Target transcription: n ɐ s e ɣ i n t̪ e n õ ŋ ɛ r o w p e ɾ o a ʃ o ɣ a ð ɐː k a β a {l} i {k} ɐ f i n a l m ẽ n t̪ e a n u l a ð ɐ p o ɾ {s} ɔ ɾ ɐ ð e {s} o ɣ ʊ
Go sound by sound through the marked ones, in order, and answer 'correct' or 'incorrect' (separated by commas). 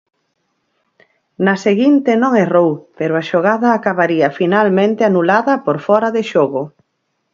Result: incorrect, incorrect, incorrect, incorrect